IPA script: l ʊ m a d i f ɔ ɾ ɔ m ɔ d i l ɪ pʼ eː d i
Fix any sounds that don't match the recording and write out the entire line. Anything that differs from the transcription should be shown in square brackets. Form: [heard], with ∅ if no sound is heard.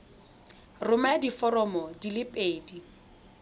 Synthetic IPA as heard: [r] ʊ m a d i f ɔ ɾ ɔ m ɔ d i l ɪ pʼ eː d i